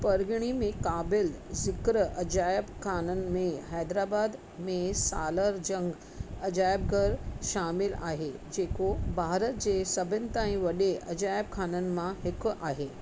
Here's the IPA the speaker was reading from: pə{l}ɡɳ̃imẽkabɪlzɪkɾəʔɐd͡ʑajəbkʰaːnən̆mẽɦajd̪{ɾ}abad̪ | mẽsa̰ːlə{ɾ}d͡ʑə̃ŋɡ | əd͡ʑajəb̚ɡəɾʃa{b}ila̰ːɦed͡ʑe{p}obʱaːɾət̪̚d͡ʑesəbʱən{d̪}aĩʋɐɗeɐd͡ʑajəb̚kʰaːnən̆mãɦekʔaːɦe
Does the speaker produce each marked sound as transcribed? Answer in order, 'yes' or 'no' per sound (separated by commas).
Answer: no, yes, yes, no, no, no